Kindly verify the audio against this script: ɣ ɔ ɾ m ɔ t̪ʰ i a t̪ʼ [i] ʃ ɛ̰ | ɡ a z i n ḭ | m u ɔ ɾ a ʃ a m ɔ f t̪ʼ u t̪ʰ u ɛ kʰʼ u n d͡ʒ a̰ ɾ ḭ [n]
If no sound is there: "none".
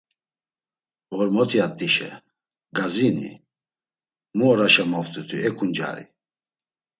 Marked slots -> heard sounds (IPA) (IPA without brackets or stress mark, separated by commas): i, none